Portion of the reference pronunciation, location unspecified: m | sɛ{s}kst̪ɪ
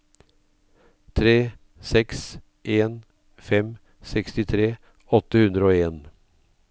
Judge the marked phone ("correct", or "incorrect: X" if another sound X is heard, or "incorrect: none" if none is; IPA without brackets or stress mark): incorrect: none